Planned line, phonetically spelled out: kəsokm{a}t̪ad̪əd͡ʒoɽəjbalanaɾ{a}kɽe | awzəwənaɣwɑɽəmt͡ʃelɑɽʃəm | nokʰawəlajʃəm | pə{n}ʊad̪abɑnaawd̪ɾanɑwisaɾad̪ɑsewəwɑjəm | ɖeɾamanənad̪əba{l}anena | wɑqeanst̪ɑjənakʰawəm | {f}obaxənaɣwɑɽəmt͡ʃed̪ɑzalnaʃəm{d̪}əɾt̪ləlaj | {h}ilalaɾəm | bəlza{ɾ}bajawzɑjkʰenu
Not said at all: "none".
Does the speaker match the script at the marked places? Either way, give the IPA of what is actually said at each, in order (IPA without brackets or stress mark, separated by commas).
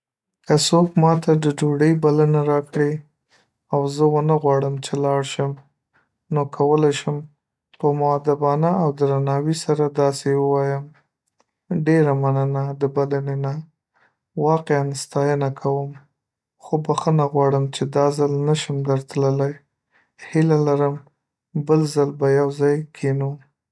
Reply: ɑ, ɑ, m, l, x, d̪, h, l